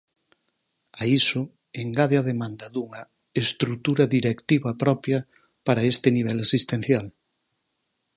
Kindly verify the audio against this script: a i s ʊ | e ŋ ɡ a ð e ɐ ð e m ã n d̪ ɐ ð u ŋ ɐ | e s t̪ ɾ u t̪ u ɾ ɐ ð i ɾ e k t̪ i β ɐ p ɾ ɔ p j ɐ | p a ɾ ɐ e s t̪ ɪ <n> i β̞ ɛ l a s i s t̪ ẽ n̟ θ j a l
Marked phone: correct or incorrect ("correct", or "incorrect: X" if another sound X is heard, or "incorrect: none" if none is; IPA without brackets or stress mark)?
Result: correct